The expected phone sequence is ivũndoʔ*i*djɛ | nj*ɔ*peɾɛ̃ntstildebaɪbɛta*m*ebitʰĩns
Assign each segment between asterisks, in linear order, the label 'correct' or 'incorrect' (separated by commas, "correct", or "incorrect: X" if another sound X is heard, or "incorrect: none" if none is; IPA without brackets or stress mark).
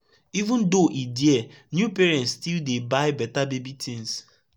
correct, incorrect: u, incorrect: b